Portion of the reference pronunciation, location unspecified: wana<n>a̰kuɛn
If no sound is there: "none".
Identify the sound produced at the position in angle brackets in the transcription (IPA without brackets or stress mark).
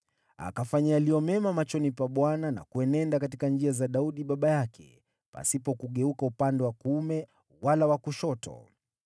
n